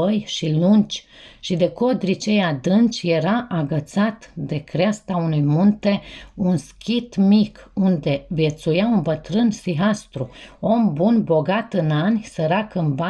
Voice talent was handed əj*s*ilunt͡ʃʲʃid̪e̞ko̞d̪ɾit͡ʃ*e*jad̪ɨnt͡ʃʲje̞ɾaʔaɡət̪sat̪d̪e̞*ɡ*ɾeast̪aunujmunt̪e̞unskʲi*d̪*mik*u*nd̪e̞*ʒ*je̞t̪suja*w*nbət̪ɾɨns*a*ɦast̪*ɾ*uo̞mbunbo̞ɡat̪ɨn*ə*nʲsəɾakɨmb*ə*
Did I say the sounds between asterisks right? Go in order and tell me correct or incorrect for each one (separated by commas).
incorrect, correct, incorrect, incorrect, correct, incorrect, incorrect, incorrect, correct, incorrect, incorrect